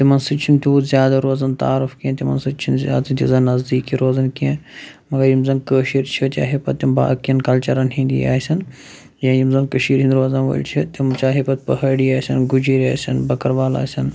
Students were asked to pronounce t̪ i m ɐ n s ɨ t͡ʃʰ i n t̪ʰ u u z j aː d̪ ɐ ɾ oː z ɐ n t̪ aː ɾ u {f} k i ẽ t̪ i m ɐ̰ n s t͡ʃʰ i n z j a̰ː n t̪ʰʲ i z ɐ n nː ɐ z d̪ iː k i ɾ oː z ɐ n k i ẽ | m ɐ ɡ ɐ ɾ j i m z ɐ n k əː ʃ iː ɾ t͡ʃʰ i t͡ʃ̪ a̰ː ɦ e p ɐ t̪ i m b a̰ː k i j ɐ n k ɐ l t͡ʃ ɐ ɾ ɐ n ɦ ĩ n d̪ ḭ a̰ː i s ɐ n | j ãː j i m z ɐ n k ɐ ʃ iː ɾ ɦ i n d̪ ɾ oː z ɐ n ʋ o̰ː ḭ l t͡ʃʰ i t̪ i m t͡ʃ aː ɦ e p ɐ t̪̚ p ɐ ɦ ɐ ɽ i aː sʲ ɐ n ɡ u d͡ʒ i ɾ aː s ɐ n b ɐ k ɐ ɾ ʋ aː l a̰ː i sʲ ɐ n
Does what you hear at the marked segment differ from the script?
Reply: no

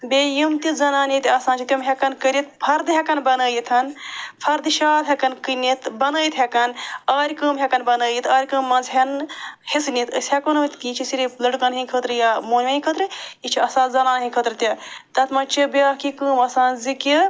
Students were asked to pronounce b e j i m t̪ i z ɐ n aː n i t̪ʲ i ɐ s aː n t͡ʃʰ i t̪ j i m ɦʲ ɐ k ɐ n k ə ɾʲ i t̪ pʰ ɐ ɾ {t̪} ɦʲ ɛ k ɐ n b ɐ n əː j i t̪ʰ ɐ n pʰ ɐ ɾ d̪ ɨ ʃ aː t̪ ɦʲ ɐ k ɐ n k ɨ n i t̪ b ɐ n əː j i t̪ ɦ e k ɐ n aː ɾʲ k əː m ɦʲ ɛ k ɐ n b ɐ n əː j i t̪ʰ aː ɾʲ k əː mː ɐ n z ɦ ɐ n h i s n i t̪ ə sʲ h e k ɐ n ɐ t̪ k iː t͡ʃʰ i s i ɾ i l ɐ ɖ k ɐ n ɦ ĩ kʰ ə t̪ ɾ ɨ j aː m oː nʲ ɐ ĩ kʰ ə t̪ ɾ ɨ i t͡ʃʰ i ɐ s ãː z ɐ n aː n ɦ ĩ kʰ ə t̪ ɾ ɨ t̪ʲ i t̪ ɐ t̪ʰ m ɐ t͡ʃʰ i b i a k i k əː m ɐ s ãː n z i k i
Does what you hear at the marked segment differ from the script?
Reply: yes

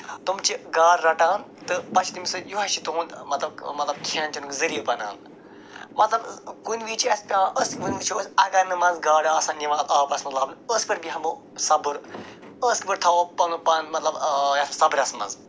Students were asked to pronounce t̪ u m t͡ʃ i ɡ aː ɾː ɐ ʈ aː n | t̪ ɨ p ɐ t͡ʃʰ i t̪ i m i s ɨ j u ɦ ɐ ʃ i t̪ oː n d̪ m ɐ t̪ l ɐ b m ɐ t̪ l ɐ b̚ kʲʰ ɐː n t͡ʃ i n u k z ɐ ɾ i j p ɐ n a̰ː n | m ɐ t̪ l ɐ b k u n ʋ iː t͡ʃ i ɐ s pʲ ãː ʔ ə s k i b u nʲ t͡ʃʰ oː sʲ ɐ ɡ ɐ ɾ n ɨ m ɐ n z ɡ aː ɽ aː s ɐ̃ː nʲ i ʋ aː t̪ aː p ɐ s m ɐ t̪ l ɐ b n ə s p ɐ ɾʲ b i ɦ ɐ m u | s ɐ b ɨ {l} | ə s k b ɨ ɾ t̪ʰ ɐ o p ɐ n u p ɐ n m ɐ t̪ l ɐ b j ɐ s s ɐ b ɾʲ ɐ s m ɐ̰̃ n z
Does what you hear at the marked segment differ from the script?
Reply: yes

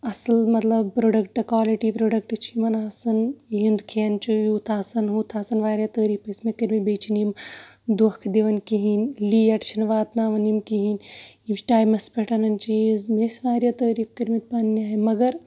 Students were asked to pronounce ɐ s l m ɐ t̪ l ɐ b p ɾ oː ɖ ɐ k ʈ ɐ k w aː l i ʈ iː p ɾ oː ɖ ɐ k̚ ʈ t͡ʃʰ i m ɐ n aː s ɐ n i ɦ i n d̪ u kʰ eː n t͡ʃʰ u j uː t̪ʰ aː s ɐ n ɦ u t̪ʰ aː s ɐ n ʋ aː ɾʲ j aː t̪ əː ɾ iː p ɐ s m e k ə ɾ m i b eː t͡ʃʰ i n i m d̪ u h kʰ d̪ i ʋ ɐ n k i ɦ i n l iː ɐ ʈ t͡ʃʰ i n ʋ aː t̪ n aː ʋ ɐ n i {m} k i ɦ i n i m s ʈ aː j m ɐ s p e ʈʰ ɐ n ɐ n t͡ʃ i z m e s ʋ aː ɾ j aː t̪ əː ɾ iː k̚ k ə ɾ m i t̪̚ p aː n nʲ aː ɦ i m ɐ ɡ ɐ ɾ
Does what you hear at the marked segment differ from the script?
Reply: no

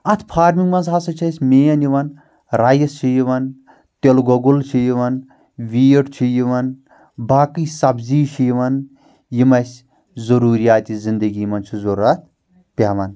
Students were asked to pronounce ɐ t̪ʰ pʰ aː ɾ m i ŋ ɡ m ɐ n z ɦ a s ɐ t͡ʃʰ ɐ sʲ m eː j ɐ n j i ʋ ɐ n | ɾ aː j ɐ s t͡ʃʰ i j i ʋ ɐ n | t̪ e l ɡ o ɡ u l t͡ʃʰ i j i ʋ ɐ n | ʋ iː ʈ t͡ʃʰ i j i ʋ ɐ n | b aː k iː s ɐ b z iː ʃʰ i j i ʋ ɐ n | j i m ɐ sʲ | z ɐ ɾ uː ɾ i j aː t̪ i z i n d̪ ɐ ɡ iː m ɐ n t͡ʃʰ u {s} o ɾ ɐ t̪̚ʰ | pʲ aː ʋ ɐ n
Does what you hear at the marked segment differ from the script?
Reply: yes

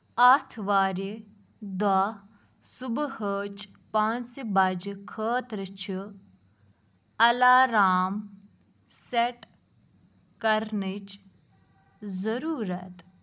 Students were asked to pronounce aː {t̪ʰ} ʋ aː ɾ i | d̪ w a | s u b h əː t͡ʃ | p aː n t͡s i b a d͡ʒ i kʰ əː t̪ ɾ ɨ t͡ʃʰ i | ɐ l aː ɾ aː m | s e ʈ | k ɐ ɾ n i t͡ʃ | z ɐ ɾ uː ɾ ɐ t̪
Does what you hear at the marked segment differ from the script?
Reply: no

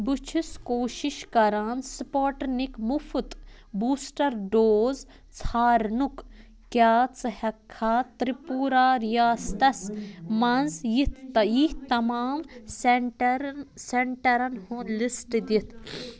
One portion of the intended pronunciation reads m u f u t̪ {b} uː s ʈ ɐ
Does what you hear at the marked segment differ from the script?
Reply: no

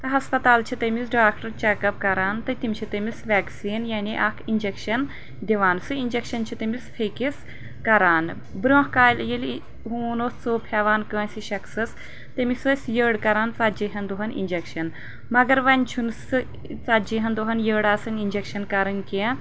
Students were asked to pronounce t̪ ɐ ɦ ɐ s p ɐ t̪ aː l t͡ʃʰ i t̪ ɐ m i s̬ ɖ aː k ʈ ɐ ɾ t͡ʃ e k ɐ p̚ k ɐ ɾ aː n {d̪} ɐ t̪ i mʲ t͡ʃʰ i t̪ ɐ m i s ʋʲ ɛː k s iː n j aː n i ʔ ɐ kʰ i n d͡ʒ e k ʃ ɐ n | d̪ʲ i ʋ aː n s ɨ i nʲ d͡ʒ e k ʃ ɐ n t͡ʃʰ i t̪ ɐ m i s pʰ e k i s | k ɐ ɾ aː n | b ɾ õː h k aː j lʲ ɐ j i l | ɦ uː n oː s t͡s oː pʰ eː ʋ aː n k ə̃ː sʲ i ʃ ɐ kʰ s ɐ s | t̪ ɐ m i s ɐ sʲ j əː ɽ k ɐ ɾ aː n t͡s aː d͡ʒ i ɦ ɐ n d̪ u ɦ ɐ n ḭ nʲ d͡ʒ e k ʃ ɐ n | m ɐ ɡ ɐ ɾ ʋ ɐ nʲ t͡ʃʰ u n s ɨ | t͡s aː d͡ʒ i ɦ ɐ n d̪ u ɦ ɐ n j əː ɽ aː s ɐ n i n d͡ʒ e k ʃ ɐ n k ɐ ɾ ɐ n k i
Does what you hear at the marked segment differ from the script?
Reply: yes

